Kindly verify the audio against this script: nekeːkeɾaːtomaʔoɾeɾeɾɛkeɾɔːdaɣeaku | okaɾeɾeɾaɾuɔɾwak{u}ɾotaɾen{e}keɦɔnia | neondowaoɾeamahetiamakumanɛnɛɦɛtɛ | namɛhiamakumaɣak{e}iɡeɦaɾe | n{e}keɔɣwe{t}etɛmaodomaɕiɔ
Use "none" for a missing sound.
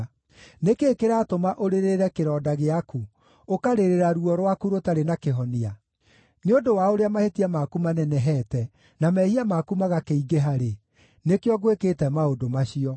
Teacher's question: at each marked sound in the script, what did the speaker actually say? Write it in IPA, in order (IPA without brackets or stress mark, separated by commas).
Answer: u, a, e, e, k